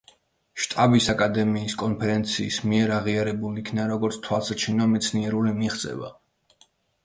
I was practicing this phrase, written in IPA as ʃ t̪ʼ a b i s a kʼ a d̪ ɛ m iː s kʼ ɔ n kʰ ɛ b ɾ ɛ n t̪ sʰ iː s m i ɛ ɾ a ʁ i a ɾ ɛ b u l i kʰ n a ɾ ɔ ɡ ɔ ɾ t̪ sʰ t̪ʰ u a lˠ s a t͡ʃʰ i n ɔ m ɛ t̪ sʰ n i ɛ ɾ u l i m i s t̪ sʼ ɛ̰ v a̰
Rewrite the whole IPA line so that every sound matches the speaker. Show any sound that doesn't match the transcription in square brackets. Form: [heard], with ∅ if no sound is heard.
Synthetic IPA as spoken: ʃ t̪ʼ a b i s a kʼ a d̪ ɛ m iː s kʼ ɔ n [pʰ] ɛ [∅] ɾ ɛ n t̪ sʰ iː s m i ɛ ɾ a ʁ i a ɾ ɛ b u l i kʰ n a ɾ ɔ ɡ ɔ ɾ t̪ sʰ t̪ʰ [w] a lˠ s a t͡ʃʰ i n ɔ m ɛ t̪ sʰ n i ɛ ɾ u l i m i [χ] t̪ sʼ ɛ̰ v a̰

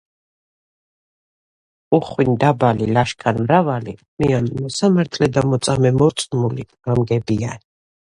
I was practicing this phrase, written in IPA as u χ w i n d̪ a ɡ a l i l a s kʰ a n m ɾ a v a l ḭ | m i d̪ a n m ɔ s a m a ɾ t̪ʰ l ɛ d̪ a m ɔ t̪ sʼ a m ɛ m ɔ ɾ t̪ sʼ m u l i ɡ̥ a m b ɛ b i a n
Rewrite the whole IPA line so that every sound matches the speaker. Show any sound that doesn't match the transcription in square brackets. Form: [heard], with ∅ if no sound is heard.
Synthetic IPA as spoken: u χ w i n d̪ a [b] a l i l a [ʃ] kʰ a n m ɾ a v a l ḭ | m i [∅] a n m ɔ s a m a ɾ t̪ʰ l ɛ d̪ a m ɔ t̪ sʼ a m ɛ m ɔ ɾ t̪ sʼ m u l i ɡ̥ a m [ɡ] ɛ b i a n

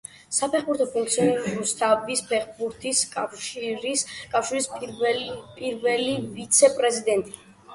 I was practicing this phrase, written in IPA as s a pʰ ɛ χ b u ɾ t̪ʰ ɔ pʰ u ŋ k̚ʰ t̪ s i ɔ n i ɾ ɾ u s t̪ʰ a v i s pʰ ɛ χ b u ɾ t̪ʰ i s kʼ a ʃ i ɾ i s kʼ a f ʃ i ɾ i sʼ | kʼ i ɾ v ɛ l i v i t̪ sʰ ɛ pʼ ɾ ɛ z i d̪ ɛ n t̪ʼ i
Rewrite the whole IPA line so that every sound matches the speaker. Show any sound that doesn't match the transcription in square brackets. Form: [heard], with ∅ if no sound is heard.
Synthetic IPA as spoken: s a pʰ ɛ χ b u ɾ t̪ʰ ɔ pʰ u ŋ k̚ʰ t̪ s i ɔ n i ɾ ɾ u s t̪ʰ a v i s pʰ ɛ χ b u ɾ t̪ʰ i s kʼ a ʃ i ɾ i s kʼ a f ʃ i ɾ i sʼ | [pʼ] i ɾ v ɛ l i v i t̪ sʰ ɛ pʼ ɾ ɛ z i d̪ ɛ n t̪ʼ i

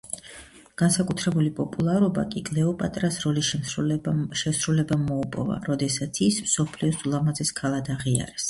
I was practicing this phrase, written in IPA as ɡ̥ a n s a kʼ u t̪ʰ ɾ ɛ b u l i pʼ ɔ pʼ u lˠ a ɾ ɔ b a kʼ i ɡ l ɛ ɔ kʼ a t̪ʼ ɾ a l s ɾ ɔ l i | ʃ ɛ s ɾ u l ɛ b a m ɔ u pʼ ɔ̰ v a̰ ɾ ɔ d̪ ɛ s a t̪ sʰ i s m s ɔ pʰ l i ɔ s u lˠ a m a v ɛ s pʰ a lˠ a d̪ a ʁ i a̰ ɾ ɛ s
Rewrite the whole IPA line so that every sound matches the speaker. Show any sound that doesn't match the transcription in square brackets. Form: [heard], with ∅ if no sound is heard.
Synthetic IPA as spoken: ɡ̥ a n s a kʼ u t̪ʰ ɾ ɛ b u l i pʼ ɔ pʼ u lˠ a ɾ ɔ b a kʼ i ɡ l ɛ ɔ [pʼ] a t̪ʼ ɾ a [∅] s ɾ ɔ l i | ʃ ɛ s ɾ u l ɛ b a m ɔ u pʼ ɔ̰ v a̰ ɾ ɔ d̪ ɛ s a t̪ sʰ i s m s ɔ pʰ l i ɔ s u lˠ a m a [z] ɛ s [kʰ] a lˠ a d̪ a ʁ i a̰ ɾ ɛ s

